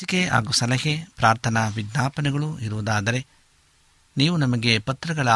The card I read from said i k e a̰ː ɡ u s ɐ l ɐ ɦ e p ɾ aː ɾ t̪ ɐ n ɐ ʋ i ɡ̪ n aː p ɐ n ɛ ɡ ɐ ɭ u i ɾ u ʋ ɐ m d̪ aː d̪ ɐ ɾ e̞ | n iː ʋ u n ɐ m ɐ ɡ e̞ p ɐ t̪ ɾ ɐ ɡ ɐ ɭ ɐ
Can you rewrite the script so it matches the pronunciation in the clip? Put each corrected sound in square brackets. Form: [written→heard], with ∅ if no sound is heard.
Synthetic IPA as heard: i k e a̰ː ɡ u s ɐ l ɐ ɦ e p ɾ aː ɾ [t̪→t̪ʰ] ɐ n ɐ ʋ i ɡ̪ n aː p ɐ n ɛ ɡ ɐ ɭ u i ɾ u ʋ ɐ [m→∅] d̪ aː d̪ ɐ ɾ e̞ | n iː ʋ u n ɐ m ɐ ɡ e̞ p ɐ t̪ ɾ ɐ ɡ ɐ ɭ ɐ